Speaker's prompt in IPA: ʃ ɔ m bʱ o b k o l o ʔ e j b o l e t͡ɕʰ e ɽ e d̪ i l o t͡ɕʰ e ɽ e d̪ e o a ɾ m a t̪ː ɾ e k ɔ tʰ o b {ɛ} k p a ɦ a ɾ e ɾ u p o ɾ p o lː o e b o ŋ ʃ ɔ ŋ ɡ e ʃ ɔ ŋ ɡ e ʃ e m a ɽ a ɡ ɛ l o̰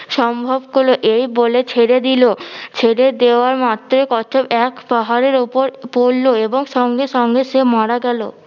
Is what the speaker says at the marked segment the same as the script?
yes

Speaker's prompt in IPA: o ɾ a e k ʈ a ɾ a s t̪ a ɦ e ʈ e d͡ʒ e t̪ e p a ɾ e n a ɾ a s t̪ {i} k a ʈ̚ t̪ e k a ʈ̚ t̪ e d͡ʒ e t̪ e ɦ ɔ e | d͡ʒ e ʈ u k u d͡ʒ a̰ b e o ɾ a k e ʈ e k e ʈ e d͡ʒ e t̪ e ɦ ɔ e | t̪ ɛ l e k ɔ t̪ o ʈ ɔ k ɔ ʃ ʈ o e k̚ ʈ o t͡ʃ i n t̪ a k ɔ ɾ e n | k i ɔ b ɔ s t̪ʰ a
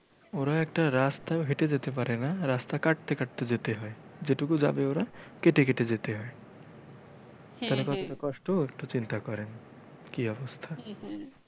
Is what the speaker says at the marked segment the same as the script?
no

